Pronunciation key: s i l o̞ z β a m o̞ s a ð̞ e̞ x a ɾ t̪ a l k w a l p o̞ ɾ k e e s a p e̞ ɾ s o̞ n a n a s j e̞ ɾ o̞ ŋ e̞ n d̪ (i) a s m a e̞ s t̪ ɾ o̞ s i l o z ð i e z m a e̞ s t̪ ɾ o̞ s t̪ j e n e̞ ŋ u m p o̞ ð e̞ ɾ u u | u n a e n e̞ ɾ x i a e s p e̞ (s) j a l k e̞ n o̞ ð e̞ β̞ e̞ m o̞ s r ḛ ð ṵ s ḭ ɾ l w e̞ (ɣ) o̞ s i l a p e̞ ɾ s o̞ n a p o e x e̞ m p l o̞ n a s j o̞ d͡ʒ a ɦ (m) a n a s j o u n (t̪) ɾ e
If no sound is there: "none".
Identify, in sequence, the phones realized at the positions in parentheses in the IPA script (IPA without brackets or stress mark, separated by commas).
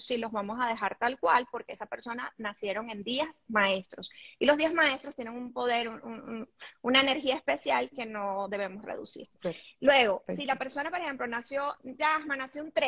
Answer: i, s, ɣ, m, t̪